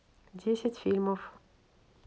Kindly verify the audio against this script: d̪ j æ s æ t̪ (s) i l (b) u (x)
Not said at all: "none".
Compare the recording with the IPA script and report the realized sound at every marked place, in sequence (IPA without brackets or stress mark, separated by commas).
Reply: f, m, f